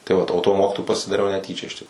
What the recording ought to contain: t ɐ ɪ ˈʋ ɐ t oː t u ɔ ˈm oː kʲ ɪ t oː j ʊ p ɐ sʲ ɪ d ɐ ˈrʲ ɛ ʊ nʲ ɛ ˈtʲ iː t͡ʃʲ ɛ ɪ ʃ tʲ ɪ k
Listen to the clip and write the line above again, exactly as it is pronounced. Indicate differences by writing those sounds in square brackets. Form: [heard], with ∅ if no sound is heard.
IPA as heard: t ɐ ɪ ˈʋ ɐ t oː t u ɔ ˈm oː kʲ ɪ t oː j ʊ p ɐ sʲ ɪ d ɐ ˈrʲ ɛ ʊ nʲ ɛ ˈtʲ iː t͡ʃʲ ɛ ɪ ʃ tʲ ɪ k